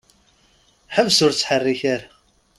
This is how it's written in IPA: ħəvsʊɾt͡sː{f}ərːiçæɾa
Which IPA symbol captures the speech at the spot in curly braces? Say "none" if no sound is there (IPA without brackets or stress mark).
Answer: ħ